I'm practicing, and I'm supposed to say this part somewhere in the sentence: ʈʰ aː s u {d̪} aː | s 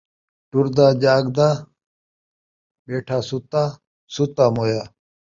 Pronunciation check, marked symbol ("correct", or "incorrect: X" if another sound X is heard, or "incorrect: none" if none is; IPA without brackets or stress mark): incorrect: t̪